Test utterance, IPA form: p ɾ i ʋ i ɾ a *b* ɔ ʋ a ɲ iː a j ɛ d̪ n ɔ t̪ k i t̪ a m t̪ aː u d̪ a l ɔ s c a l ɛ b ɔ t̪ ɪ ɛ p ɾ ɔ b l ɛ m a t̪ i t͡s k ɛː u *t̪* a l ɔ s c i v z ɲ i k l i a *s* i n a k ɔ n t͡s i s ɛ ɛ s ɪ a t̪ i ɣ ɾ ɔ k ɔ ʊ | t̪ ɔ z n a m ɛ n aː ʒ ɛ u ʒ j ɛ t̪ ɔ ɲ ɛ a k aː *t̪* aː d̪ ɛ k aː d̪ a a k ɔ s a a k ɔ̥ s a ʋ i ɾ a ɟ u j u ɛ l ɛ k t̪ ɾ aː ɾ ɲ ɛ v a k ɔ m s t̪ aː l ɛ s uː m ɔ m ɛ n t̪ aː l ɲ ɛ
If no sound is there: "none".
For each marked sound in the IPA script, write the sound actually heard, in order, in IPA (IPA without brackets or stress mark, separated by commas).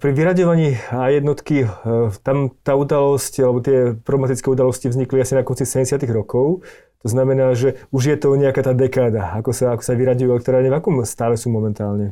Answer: ɟ, d̪, s, t̪